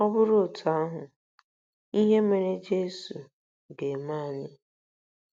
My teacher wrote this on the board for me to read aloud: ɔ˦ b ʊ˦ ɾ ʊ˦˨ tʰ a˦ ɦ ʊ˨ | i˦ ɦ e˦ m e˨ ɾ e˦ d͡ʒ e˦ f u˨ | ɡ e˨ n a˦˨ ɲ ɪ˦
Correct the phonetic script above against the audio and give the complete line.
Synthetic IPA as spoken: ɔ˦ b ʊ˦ ɾ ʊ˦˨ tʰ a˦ ɦ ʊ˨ | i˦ ɦ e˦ m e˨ ɾ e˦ d͡ʒ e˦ s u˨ | ɡ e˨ m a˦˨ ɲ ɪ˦